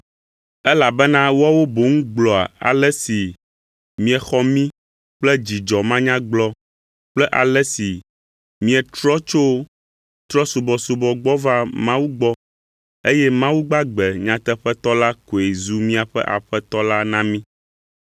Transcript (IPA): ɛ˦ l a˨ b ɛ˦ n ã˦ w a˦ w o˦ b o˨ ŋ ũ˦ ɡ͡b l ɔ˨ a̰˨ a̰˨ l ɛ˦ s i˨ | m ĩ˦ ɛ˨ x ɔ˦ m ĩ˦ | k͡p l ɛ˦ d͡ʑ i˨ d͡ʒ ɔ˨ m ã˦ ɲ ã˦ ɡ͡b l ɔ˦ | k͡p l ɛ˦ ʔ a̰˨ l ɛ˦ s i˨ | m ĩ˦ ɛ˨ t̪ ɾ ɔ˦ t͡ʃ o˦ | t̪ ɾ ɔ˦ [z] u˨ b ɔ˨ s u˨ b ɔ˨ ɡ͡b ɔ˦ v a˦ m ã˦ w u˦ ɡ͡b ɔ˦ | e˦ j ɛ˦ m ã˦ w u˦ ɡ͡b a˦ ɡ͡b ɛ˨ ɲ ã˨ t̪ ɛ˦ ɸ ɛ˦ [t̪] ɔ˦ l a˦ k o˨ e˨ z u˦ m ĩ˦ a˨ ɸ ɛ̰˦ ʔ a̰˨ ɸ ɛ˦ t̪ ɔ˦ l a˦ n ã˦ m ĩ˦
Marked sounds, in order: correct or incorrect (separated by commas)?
incorrect, correct